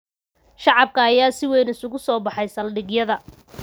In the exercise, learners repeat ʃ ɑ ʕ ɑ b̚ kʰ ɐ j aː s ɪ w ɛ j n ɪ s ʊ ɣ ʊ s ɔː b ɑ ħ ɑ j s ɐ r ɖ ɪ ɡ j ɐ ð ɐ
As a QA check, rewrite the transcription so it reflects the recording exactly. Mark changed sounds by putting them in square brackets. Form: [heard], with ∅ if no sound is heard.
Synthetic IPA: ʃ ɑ ʕ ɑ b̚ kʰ [ɐː] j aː s ɪ w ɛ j n ɪ s ʊ ɣ ʊ s ɔː b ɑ ħ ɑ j s ɐ [l] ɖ ɪ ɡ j ɐ ð ɐ